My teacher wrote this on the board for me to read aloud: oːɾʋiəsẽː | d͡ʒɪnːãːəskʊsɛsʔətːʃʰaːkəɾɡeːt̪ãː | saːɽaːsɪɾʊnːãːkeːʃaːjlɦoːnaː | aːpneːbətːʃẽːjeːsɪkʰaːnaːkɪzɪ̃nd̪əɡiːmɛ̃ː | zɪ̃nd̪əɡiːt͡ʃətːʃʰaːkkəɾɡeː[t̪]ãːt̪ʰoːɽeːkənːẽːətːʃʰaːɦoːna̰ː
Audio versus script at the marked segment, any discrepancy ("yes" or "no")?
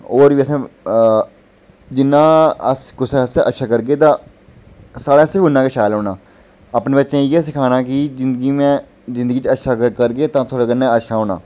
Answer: no